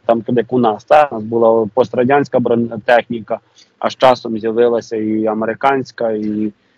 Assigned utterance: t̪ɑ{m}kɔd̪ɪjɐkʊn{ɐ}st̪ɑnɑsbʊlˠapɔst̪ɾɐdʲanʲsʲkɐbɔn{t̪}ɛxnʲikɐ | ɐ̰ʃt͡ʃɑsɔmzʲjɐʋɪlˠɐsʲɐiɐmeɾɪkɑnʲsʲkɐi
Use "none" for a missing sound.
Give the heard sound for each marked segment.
m, ɑ, t̪

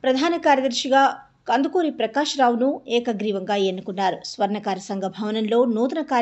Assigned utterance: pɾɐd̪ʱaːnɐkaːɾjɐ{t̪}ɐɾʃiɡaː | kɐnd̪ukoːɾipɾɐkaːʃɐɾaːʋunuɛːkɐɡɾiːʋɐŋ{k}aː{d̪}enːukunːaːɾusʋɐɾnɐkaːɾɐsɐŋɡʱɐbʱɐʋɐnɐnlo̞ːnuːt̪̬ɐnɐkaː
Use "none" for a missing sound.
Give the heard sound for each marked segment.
d̪, ɡ, none

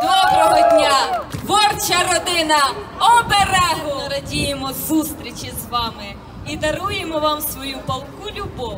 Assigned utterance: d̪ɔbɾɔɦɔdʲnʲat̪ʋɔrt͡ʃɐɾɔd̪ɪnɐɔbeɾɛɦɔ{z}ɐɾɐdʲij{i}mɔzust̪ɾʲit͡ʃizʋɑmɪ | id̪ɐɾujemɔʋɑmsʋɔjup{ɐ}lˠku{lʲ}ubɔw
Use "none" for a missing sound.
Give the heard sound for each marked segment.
none, e, ɐ, lʲ

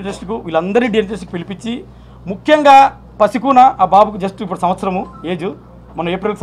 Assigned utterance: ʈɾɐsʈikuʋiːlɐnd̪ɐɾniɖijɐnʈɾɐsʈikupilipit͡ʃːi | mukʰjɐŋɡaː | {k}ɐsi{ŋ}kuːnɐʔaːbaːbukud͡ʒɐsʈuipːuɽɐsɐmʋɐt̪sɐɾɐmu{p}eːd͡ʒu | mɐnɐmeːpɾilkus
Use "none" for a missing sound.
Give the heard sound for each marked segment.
p, none, none

